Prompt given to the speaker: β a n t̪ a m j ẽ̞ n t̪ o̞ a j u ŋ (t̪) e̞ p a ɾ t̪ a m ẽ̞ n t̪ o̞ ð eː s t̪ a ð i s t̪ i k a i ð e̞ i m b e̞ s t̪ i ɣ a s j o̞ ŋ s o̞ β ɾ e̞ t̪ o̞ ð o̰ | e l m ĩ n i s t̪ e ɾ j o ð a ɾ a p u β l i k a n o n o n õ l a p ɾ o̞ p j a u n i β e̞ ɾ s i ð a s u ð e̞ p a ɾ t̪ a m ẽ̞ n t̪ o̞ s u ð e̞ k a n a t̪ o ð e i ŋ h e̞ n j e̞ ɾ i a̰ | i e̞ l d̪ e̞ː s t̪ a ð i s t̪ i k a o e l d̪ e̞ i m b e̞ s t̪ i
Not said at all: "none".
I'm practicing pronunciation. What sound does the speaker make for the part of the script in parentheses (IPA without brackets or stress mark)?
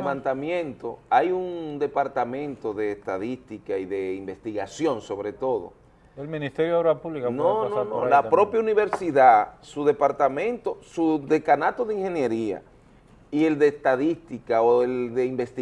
d̪